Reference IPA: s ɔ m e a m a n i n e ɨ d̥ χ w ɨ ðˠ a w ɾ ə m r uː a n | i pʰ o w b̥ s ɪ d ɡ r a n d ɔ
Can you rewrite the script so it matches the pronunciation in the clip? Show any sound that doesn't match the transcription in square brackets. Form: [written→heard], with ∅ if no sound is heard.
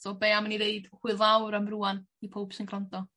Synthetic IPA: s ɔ [m→b] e a m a n i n e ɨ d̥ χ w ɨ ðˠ a w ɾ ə m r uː a n | i pʰ o w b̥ s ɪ [d→n] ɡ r a n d ɔ